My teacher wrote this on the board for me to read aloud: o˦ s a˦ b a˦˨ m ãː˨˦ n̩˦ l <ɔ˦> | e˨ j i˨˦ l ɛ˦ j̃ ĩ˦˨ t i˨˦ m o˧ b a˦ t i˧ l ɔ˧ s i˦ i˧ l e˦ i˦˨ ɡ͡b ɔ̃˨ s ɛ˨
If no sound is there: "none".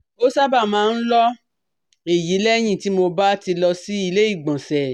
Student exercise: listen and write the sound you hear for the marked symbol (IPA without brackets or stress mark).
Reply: ɔ˦